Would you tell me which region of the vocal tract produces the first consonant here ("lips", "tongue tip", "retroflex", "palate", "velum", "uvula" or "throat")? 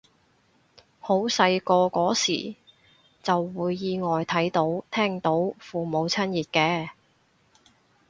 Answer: throat